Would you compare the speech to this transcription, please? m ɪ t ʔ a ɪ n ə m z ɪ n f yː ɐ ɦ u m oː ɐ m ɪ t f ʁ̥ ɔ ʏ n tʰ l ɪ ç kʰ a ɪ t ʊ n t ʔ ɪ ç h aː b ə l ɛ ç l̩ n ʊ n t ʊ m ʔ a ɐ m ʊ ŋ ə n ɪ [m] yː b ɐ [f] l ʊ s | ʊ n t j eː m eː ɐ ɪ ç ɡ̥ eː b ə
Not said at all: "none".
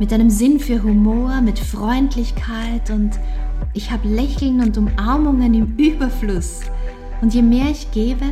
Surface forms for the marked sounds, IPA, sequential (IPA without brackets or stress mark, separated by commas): m, f